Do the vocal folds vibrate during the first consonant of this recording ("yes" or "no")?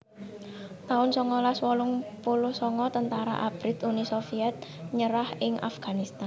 no